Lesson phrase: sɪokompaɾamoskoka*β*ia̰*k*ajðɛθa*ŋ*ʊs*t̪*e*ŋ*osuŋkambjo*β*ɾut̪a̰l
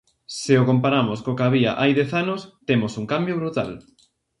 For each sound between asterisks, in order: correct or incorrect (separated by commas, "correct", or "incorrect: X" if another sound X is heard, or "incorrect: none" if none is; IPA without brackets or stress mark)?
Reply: correct, incorrect: ʔ, incorrect: n, correct, incorrect: m, correct